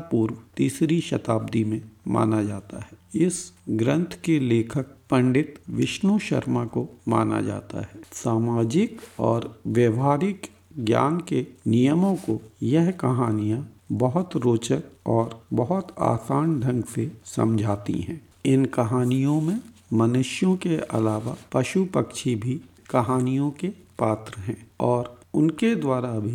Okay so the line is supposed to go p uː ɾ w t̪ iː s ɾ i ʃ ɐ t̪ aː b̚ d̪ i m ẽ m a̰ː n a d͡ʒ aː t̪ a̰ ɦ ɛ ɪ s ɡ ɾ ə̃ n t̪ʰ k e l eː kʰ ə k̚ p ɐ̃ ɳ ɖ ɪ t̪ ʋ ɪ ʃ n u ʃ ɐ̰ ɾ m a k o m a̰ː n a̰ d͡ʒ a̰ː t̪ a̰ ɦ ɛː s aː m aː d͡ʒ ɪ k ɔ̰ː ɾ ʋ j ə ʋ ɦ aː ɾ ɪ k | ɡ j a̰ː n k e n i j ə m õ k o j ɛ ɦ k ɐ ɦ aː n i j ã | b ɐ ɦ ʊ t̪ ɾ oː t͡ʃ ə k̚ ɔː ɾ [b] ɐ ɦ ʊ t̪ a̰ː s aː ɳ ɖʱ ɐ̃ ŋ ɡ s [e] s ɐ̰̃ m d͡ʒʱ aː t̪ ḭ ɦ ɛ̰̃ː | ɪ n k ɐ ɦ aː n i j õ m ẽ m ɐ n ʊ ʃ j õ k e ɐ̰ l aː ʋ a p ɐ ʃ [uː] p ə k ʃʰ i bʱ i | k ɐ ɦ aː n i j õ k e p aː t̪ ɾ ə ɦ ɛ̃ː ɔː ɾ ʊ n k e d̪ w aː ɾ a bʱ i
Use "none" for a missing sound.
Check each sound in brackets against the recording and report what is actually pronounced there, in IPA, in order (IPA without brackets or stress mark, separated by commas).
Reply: b, e, u